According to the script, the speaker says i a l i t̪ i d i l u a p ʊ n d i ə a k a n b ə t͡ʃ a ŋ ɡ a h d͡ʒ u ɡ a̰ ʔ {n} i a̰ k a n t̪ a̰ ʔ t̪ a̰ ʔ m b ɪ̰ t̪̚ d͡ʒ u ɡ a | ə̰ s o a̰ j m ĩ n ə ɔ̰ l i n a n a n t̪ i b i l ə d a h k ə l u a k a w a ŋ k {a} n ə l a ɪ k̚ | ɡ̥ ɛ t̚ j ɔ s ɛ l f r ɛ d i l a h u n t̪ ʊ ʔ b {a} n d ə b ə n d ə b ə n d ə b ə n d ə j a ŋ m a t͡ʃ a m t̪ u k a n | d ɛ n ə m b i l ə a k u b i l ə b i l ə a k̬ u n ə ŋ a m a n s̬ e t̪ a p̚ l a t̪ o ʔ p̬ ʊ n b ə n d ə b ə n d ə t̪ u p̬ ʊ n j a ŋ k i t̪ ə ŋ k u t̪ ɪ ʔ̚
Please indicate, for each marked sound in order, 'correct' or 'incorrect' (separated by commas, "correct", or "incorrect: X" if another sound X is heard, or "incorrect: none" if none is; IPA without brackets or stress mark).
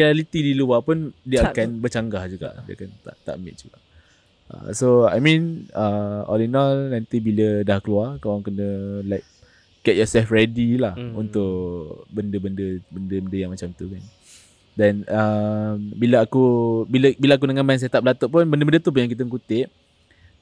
incorrect: d, incorrect: ə, incorrect: ə